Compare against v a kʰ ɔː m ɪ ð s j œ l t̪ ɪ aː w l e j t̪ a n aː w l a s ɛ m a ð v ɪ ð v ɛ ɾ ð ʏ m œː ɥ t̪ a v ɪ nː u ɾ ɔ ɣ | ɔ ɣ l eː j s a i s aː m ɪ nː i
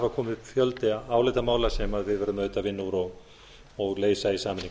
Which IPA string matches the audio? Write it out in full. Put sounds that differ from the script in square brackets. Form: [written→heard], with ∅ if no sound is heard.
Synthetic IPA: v a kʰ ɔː m ɪ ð [s→f] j œ l t̪ ɪ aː w l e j t̪ a [n→m] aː w l a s ɛ m a ð v ɪ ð v ɛ ɾ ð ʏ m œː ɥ t̪ a v ɪ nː u ɾ ɔ ɣ | ɔ ɣ l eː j s a i s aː m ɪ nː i

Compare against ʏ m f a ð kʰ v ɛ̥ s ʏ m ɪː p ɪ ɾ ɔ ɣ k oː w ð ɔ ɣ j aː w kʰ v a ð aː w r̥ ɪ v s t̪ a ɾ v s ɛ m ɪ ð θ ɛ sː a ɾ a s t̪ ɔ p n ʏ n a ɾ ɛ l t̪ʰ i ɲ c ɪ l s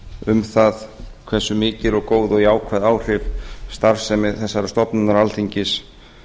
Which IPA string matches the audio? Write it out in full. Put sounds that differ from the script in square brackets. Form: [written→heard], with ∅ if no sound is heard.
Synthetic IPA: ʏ m [f→θ] a ð kʰ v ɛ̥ s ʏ m ɪː [p→c] ɪ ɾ ɔ ɣ k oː w ð ɔ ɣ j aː w kʰ v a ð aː w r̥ ɪ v s t̪ a ɾ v s ɛ m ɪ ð θ ɛ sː a ɾ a s t̪ ɔ p n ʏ n a ɾ [ɛ→a] l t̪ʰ i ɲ c ɪ [l→∅] s

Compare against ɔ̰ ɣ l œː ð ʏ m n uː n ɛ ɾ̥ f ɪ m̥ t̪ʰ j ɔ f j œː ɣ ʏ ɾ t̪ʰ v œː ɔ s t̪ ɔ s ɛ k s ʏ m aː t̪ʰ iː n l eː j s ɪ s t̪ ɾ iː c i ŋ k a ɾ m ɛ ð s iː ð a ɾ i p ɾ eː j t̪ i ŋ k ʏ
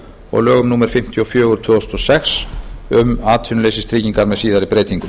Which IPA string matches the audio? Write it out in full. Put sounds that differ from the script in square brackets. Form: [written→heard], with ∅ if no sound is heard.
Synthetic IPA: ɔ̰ ɣ l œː [ð→ɣ] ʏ m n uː [n→m] ɛ ɾ̥ f ɪ m̥ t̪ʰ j ɔ f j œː ɣ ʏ ɾ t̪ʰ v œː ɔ s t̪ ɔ s ɛ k s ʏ m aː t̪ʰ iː n l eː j s ɪ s t̪ ɾ iː c i ŋ k a ɾ m ɛ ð s iː ð a ɾ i p ɾ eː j t̪ i ŋ k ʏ

